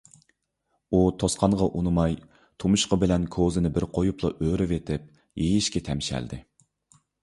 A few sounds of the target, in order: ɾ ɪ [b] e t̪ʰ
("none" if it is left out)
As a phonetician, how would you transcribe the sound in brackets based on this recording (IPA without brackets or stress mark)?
v